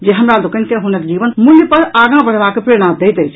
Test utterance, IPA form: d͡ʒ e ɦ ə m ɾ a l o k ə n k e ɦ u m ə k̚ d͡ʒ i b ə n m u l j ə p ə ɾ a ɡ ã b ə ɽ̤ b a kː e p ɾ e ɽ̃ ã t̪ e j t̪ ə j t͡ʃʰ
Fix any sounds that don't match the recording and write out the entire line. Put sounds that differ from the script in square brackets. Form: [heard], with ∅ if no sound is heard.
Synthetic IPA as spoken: d͡ʒ e ɦ ə m ɾ a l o k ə n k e ɦ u [n] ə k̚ d͡ʒ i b ə n m u l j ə p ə ɾ a ɡ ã b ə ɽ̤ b a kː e p ɾ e ɽ̃ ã [d̪] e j t̪ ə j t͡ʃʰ